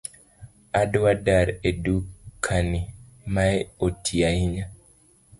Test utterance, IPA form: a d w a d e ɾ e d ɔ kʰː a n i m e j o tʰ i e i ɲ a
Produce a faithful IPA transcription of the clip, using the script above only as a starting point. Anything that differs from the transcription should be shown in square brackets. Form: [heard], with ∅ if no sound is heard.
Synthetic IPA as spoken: a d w a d [a] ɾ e d [u] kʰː a n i m [a] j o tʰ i [a] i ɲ a